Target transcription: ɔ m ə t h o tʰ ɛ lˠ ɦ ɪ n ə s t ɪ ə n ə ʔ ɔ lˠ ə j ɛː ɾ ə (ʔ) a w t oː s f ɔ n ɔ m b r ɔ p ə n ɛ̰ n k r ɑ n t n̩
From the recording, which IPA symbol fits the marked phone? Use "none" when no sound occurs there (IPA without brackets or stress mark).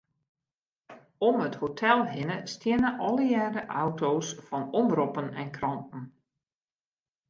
ʔ